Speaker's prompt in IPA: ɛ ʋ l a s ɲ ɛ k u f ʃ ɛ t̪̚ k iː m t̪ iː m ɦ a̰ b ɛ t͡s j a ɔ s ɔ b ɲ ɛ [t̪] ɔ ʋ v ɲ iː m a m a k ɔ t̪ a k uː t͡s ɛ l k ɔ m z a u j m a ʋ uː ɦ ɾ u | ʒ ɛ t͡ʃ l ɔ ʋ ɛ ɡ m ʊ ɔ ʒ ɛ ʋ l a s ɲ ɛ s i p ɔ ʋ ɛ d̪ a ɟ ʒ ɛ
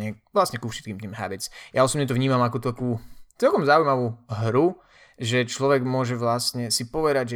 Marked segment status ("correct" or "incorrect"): correct